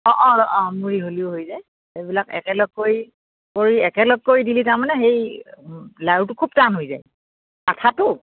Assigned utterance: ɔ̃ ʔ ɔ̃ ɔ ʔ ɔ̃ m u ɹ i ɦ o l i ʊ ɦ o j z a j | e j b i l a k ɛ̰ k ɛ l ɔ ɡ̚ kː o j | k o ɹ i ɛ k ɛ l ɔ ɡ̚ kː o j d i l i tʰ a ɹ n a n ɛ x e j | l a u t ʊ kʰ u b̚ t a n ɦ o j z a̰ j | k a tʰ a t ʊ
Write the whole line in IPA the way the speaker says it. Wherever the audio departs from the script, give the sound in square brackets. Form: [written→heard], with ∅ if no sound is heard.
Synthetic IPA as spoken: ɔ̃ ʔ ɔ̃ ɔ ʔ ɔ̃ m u ɹ i ɦ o l i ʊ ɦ o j z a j | e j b i l a k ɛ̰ k ɛ l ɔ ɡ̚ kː o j | k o ɹ i ɛ k ɛ l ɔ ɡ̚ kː o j d i l i [tʰ→t] a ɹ [n→m] a n ɛ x e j | l a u t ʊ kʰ u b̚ t a n ɦ o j z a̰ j | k a tʰ a t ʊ